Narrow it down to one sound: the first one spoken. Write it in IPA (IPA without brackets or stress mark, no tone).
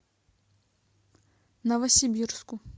n